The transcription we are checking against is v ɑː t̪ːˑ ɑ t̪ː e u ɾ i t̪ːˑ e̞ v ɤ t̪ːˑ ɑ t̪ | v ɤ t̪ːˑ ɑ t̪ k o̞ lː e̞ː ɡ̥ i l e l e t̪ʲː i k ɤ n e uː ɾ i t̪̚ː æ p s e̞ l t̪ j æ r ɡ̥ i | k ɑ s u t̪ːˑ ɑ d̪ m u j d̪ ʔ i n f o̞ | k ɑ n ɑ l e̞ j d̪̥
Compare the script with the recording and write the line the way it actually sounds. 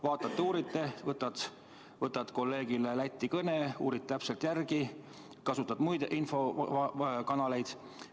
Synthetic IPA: v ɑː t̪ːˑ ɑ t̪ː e uː ɾ i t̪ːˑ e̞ v ɤ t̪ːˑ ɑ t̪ | v ɤ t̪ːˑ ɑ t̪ k o̞ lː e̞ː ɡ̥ i l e l æ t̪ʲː i k ɤ n e uː ɾ i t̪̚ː æ p s e̞ l t̪ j æ r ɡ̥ i | k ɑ s u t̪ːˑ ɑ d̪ m u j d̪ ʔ i n f o̞ | k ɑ n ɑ l e̞ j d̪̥